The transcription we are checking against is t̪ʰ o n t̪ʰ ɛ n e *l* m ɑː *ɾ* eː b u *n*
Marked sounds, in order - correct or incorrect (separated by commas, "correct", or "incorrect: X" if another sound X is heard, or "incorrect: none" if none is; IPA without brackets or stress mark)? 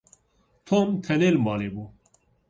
correct, incorrect: l, incorrect: none